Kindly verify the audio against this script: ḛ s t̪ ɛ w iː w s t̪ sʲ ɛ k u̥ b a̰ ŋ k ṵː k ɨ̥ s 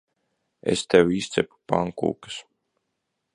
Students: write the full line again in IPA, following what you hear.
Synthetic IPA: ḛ s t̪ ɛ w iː s t̪ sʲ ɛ p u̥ p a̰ ŋ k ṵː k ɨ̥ s